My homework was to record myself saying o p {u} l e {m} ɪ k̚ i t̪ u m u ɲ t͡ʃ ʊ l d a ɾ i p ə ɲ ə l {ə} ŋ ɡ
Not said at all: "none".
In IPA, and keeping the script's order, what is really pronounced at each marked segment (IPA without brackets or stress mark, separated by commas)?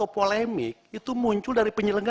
o, m, ə